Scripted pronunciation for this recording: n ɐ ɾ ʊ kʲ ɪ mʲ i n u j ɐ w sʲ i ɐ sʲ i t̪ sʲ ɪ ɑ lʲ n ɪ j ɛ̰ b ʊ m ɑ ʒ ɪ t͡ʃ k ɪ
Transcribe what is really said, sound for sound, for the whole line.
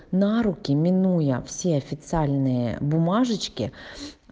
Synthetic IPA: n ɑ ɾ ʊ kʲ ɪ mʲ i n u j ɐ w sʲ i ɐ fʲ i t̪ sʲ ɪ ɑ lʲ n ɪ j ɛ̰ b ʊ m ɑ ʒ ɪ t͡ʃ k ɪ